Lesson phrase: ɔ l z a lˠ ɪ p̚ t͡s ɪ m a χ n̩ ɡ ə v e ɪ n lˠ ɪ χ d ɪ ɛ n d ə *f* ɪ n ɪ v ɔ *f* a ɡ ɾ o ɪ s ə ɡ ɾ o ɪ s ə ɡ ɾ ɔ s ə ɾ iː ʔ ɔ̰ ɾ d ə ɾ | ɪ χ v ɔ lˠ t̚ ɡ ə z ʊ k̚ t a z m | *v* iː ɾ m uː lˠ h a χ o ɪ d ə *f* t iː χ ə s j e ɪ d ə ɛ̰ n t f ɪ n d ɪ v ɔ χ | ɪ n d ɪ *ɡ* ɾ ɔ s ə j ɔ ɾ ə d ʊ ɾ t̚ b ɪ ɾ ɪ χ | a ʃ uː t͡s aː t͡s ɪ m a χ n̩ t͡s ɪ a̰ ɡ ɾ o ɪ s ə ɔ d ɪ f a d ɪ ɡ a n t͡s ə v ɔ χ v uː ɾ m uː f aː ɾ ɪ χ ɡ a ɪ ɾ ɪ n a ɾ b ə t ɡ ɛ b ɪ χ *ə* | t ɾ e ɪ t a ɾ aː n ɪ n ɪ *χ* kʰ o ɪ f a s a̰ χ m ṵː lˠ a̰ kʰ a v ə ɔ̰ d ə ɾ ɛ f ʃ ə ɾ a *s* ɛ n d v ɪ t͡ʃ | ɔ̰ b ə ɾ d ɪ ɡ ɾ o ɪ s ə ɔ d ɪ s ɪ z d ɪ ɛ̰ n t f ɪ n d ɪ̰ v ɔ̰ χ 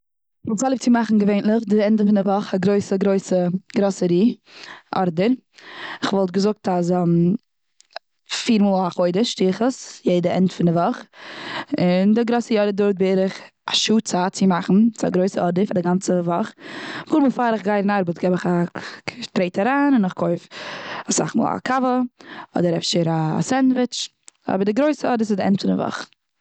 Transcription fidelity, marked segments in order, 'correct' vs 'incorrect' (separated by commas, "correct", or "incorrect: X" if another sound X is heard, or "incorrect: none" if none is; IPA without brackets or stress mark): correct, incorrect: χ, incorrect: f, incorrect: ʃ, correct, incorrect: a, correct, correct